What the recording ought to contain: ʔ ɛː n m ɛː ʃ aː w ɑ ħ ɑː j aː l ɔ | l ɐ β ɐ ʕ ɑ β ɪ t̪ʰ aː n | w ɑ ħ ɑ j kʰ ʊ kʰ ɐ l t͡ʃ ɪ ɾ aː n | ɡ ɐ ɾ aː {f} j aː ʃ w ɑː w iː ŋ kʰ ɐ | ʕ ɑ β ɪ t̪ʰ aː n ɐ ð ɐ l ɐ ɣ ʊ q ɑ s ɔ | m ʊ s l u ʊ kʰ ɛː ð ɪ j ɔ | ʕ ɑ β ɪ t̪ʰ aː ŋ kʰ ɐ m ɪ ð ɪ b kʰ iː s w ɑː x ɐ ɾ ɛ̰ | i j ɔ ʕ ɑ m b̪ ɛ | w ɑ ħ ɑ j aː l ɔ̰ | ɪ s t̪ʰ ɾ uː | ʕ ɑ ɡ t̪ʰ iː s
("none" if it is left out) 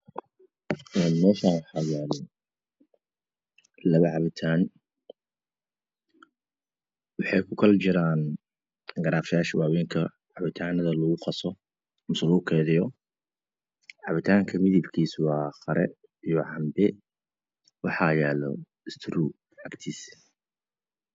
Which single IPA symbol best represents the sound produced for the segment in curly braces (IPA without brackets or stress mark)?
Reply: f